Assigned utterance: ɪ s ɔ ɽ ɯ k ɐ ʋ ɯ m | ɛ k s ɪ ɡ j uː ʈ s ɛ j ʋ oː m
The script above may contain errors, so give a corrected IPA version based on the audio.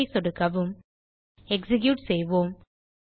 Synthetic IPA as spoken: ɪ s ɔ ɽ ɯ k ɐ ʋ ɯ m | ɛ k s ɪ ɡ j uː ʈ s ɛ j ʋ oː m

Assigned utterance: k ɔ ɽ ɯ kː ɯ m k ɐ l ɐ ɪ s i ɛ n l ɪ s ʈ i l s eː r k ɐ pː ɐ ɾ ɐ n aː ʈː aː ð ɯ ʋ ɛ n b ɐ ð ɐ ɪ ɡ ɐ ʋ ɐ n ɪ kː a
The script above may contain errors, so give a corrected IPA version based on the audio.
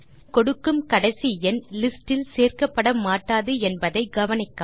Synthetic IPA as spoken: k ɔ ɽ ɯ kː ɯ m k ɐ ɽ ɐ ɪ s i ɛ n l ɪ s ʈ ɪ l s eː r k ɐ pː ɐ ɽ ɐ m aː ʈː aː ð ɯ ɛ n b ɐ ð ɐ ɪ ɡ ɐ ʋ ɐ n ɪ kː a

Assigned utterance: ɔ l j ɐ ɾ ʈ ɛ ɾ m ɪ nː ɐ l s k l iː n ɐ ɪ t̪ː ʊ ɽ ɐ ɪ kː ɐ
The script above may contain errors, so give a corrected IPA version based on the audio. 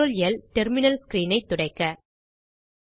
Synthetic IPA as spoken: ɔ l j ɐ l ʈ ɛ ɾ m ɪ n ɐ l s k ɾ iː n ɐ ɪ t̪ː ʊ ɽ ɐ ɪ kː ɐ

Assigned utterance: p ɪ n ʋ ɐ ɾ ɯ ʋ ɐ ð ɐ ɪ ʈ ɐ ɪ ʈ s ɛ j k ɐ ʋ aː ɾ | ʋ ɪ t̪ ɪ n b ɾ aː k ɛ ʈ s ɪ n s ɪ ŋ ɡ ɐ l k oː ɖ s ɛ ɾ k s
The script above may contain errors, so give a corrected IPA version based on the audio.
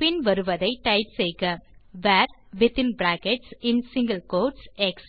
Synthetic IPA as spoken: p ɪ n ʋ ɐ ɾ ɯ ʋ ɐ ð ɐ ɪ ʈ ɐ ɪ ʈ s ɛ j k ɐ ʋ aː ɾ | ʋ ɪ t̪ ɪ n b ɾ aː k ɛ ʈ s ɪ n s ɪ ŋ ɡ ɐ l k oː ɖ s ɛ k s

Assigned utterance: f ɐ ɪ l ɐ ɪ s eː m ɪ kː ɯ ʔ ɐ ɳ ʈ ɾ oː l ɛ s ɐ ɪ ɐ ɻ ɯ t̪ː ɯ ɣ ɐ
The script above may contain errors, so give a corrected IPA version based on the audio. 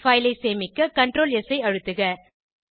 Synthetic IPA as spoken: f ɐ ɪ l ɐ ɪ s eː m ɪ kː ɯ k ɐ ɳ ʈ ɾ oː l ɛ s ɐ ɪ ɐ ɻ ɯ t̪ː ɯ ɣ ɐ

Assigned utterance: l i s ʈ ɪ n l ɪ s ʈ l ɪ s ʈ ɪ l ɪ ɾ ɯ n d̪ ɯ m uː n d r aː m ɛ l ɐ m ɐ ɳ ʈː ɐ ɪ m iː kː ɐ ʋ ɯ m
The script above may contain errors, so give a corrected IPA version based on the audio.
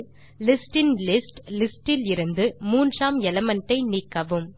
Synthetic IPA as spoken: l ɪ s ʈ ɪ n l ɪ s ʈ l ɪ s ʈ ɪ l ɪ ɾ ɯ n d̪ ɯ m uː n d r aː m ɛ l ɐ m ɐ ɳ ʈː ɐ ɪ n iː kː ɐ ʋ ɯ m

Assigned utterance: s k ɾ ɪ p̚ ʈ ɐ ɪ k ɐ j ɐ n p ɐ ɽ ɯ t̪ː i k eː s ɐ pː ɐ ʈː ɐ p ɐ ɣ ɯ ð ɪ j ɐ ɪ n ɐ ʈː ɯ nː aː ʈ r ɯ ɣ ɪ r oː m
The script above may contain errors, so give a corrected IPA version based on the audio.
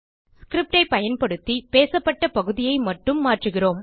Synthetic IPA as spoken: s k ɾ ɪ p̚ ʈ ɐ ɪ p ɐ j ɐ n p ɐ ɽ ɯ t̪ː i p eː s ɐ pː ɐ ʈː ɐ p ɐ ɣ ɯ ð ɪ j ɐ ɪ m ɐ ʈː ɯ mː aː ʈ r ɯ ɣ ɪ r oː m

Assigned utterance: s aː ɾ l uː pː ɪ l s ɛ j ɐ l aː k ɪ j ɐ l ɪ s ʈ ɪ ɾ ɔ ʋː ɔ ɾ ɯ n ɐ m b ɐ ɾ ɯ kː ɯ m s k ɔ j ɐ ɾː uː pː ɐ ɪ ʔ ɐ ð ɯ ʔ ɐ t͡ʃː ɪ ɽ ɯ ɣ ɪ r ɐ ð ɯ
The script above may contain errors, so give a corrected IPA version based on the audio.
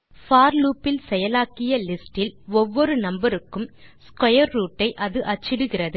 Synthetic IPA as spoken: f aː ɾ l uː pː ɪ l s ɛ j ɐ l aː k ɪ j ɐ l ɪ s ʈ ɪ l ɔ ʋː ɔ ɾ ɯ n ɐ m b ɐ ɾ ɯ kː ɯ m s k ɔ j ɐ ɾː uː ʈː ɐ ɪ ʔ ɐ ð ɯ ʔ ɐ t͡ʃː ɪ ɽ ɯ ɣ ɪ r ɐ ð ɯ

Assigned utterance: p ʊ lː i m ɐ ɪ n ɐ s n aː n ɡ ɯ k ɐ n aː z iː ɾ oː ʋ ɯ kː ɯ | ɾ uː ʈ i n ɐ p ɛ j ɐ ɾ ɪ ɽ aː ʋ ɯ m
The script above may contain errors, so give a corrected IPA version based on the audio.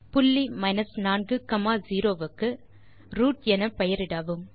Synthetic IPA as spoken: p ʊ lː i m ɐ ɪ n ɐ s n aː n ɡ ɯ k ɐ m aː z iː ɾ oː ʋ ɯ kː ɯ | ɾ uː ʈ ɛ n ɐ p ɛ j ɐ ɾ ɪ ɽ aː ʋ ɯ m

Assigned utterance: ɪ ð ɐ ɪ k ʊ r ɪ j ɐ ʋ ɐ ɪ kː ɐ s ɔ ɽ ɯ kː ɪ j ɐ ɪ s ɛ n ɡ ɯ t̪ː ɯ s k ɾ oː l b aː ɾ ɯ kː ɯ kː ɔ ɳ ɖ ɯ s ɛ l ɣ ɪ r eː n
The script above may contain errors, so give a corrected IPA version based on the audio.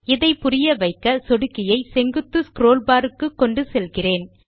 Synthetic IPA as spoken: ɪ ð ɐ ɪ p ʊ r ɪ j ɐ ʋ ɐ ɪ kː ɐ s ɔ ɽ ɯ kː ɪ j ɐ ɪ s ɛ ŋ ɡ ɯ t̪ː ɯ s k ɾ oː l b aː ɾ ɯ kː ɯ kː ɔ ɳ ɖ ɯ s ɛ l ɣ ɪ r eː n

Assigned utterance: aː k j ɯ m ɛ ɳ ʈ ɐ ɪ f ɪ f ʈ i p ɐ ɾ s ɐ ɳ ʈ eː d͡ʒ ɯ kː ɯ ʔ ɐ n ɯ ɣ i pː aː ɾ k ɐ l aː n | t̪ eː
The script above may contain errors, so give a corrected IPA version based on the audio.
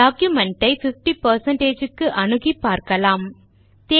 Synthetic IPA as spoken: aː k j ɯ m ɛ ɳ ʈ ɐ ɪ f ɪ f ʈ i p ɐ ɾ s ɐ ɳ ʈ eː d͡ʒ ɯ kː ɯ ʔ ɐ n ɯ ɣ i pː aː ɾ k ɐ l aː m | t̪ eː

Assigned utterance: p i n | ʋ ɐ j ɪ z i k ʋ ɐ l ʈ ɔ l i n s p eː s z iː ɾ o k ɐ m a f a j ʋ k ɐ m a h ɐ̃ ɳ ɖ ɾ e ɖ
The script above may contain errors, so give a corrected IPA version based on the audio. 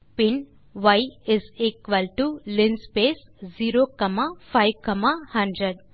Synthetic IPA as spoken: p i n | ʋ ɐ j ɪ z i k ʋ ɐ l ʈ u l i n s p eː s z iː ɾ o k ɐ m a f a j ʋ k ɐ m a h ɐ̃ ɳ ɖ ɾ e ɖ

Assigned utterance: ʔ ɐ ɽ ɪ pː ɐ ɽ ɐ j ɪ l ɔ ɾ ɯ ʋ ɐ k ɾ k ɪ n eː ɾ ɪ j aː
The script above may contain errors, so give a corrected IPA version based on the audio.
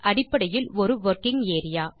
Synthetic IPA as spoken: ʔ ɐ ɽ ɪ pː ɐ ɽ ɐ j ɪ l ɔ ɾ ɯ ʋ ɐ ɾ k ɪ ŋ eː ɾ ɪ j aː

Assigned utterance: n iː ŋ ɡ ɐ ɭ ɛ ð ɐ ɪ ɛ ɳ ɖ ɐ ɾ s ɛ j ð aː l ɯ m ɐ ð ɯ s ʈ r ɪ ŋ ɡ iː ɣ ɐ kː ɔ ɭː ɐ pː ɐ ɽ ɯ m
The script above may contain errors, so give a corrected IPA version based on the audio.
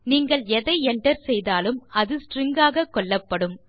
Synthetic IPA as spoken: n iː ŋ ɡ ɐ ɭ ɛ ð ɐ ɪ ɛ ɳ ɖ ɐ ɾ s ɛ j ð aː l ɯ m ɐ ð ɯ s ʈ r ɪ ŋ ɡ aː ɣ ɐ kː ɔ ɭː ɐ pː ɐ ɽ ɯ m

